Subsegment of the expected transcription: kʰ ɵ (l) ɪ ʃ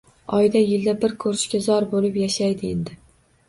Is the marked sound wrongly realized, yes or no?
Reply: yes